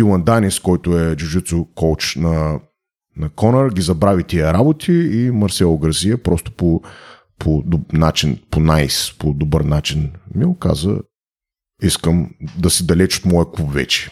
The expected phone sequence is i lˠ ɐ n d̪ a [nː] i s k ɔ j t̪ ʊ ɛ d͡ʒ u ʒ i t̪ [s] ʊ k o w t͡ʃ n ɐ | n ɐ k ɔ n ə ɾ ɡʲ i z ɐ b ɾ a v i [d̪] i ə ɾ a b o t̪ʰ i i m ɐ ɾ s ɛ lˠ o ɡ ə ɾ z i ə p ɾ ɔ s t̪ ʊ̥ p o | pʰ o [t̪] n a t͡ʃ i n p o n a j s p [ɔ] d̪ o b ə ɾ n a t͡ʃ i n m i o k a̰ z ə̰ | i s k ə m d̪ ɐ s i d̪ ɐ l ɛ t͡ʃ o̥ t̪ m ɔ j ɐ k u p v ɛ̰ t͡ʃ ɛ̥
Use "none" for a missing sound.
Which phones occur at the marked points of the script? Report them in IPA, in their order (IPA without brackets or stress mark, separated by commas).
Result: n, s, t̪, d̪, o